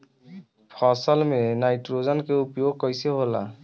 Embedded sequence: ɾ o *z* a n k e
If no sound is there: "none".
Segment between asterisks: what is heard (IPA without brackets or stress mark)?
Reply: z